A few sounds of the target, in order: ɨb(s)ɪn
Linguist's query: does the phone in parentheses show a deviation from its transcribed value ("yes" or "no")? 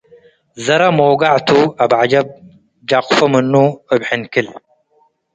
yes